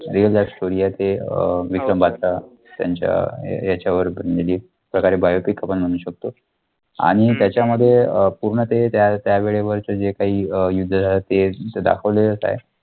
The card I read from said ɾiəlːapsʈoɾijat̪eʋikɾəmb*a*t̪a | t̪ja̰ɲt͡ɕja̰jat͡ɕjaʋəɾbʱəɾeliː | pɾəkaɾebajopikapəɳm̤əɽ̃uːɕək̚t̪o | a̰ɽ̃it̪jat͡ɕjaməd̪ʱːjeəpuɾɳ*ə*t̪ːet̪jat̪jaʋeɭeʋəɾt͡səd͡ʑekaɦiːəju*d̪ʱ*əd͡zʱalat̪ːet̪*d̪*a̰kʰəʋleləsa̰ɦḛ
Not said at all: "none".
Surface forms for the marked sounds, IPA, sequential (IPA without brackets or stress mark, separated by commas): a, ə, d̪ʱː, d̪